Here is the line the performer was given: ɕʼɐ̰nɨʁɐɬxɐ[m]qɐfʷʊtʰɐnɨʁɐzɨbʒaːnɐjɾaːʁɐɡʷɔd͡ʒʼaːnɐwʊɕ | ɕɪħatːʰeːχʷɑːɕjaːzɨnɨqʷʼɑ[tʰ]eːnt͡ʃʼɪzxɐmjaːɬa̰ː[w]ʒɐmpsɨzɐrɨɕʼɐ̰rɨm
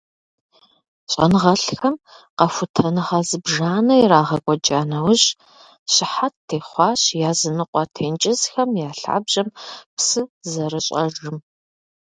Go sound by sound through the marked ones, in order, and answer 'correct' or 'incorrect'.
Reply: correct, correct, incorrect: b

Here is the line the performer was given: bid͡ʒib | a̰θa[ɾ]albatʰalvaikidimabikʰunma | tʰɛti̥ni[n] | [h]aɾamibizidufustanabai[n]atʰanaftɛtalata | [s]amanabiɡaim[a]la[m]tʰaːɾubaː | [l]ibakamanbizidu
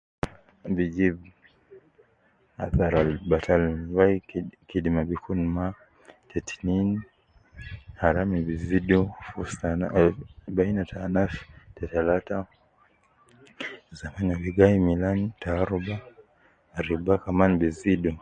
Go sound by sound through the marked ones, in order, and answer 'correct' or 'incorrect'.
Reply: correct, correct, correct, correct, incorrect: z, incorrect: i, incorrect: n, incorrect: ɾ

